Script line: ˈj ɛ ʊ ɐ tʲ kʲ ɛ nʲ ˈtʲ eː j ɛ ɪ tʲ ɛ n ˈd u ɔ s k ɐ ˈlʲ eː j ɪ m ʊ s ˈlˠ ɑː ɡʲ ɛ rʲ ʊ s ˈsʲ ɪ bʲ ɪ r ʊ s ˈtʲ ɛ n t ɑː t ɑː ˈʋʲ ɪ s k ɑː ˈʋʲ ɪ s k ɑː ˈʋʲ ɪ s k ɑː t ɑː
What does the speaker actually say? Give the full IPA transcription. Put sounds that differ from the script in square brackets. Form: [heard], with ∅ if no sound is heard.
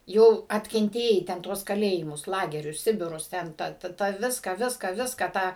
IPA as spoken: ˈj ɛ ʊ ɐ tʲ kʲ ɛ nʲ ˈtʲ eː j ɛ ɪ tʲ ɛ n [ˈt] u ɔ s k ɐ ˈlʲ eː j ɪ m ʊ s ˈlˠ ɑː ɡʲ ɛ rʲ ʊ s ˈsʲ ɪ bʲ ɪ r ʊ s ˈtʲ ɛ n t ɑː t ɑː ˈʋʲ ɪ s k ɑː ˈʋʲ ɪ s k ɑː ˈʋʲ ɪ s k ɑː t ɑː